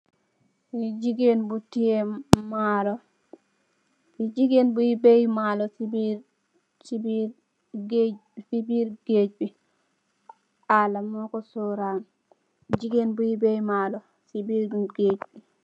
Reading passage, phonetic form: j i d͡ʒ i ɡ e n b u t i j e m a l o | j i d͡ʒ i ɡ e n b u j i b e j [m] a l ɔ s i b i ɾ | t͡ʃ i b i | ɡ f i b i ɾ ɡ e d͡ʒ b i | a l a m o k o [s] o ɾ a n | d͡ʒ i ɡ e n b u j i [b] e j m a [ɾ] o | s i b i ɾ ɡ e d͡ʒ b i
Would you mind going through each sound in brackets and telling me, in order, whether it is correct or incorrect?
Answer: correct, correct, correct, incorrect: l

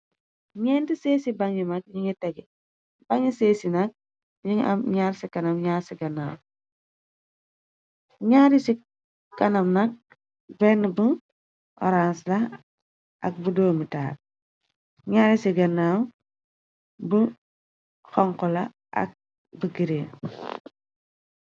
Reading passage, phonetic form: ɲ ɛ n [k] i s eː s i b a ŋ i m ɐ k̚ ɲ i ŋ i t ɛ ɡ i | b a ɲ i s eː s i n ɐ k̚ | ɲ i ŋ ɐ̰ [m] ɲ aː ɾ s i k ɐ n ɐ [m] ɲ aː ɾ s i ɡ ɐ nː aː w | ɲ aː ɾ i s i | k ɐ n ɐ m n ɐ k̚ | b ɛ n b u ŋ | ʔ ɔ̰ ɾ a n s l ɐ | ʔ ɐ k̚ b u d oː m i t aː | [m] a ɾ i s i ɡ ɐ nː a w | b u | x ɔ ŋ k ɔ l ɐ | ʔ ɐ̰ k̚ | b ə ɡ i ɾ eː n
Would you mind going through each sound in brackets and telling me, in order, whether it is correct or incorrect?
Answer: incorrect: t, correct, correct, incorrect: ɲ

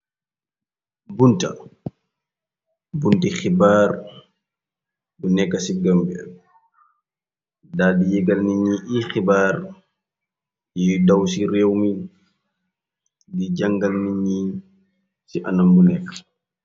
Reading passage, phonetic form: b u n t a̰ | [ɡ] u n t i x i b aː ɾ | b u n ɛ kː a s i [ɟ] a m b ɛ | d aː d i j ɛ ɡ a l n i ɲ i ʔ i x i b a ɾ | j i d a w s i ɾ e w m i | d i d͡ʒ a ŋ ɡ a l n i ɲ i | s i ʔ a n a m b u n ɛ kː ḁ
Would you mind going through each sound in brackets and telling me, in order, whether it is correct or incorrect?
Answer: incorrect: b, incorrect: ɡ

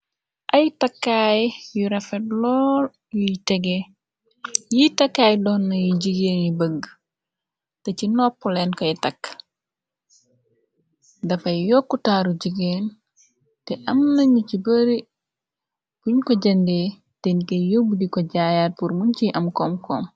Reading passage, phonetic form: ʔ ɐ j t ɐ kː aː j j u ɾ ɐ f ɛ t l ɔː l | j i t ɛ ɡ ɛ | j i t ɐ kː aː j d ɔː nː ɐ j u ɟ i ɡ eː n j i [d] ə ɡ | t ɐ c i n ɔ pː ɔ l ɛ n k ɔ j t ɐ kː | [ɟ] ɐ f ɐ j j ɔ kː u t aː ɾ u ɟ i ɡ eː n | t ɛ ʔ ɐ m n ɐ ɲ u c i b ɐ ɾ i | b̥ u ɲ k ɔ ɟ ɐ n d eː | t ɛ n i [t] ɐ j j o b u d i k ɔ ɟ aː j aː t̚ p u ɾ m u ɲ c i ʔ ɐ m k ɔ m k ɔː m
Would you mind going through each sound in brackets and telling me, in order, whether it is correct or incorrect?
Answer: incorrect: b, incorrect: d, incorrect: k

